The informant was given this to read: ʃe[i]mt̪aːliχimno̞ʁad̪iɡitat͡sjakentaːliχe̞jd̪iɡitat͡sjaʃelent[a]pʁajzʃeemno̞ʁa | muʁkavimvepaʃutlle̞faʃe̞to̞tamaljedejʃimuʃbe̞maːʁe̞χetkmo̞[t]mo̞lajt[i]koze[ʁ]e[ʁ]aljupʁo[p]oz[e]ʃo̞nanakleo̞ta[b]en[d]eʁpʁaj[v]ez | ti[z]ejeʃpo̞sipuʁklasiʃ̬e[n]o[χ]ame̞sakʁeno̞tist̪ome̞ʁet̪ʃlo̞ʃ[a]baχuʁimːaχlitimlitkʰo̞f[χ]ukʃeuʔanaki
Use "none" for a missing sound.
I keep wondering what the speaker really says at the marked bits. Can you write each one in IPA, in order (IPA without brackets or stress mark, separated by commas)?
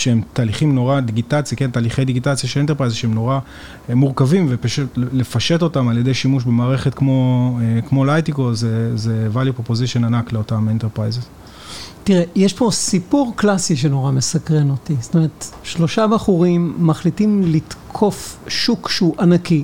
e, e, k, i, z, v, p, i, m, t, z, ʁ, n, ʁ, a, ʃ